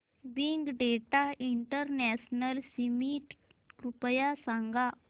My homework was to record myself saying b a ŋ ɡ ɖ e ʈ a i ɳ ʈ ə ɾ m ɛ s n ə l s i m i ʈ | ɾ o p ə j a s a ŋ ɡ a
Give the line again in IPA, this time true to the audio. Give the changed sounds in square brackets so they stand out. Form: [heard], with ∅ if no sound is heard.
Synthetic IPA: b [i] ŋ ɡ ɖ e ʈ a i ɳ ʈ ə ɾ [n] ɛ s n ə l s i m i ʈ | ɾ [u] p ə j a s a ŋ ɡ a